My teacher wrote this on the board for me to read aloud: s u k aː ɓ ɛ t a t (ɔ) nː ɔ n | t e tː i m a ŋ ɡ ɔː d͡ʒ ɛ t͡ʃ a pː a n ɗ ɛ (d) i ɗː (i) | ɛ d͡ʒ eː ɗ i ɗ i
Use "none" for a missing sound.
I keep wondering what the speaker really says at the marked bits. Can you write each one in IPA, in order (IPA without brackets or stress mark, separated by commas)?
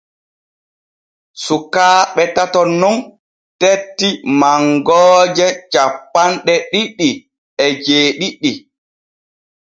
ɔ, ɗ, i